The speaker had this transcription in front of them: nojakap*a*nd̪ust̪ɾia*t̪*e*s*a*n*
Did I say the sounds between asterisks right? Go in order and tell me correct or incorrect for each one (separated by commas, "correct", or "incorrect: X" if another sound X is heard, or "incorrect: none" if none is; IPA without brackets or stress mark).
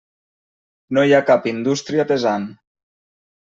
incorrect: i, correct, incorrect: z, correct